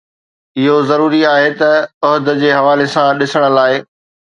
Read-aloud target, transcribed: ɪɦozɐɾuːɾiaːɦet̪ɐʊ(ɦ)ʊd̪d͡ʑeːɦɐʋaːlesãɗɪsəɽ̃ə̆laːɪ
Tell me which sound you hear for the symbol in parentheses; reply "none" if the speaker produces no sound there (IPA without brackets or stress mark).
ɦ